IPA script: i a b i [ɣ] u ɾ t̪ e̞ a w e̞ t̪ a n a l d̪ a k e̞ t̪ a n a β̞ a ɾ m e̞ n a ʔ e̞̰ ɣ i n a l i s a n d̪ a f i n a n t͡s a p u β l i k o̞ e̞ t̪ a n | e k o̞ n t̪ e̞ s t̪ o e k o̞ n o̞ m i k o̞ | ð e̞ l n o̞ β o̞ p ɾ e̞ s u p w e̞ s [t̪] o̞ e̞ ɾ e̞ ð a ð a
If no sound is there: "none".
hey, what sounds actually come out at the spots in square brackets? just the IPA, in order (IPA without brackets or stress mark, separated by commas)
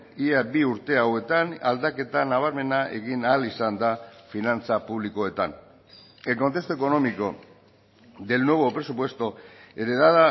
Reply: none, t̪